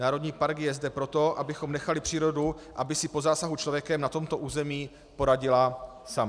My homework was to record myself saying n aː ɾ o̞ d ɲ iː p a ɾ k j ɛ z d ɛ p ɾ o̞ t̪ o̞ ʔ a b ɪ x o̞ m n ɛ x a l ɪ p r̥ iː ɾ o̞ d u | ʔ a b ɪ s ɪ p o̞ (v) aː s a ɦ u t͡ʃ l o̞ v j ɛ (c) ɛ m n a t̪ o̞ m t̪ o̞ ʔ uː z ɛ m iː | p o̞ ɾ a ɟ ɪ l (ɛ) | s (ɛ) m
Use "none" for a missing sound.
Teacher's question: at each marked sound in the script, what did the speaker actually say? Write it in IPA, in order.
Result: z, k, a, a

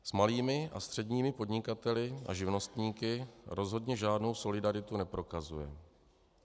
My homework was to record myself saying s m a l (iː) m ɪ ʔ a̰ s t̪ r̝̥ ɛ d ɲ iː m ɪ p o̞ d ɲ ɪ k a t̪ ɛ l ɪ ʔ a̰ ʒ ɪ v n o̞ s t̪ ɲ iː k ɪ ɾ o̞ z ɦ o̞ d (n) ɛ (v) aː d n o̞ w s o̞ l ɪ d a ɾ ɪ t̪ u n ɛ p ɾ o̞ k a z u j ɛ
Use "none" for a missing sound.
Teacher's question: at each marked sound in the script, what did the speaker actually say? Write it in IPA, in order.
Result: iː, ɲ, ʒ

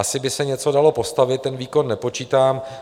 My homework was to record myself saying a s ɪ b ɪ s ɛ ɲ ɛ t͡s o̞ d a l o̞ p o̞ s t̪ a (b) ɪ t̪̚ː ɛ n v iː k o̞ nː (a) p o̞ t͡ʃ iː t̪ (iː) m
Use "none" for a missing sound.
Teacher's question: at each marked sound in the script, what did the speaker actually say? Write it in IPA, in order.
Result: v, ɛ, aː

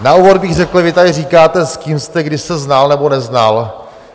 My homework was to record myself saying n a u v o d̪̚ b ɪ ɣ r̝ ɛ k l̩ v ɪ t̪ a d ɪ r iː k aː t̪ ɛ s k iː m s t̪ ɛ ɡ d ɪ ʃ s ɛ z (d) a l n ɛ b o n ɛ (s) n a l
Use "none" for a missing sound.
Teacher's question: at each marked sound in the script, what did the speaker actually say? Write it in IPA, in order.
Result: n, z

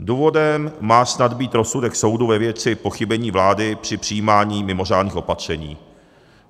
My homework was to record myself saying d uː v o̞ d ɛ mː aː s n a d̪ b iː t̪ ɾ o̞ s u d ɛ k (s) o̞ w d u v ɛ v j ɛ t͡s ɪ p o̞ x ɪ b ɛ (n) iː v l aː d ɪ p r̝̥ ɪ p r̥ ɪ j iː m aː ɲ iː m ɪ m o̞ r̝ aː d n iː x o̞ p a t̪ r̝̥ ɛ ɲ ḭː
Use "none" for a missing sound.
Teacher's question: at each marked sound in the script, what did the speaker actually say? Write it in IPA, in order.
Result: s, ɲ

